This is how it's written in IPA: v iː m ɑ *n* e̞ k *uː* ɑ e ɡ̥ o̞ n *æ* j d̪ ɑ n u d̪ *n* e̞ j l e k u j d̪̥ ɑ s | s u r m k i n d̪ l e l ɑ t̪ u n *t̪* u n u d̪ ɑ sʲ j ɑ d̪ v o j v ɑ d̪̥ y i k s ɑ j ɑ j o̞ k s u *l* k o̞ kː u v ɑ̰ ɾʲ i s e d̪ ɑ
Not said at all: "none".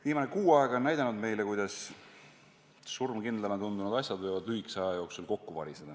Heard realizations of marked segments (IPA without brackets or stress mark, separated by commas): n, uː, æ, m, d̪, l